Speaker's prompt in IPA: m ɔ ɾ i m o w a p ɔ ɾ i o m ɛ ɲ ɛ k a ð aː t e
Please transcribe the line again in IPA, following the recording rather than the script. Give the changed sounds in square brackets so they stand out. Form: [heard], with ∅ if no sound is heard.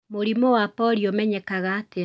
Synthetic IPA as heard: m [o] ɾ i m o w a p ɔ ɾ i o m ɛ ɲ ɛ k a [ɣ] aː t e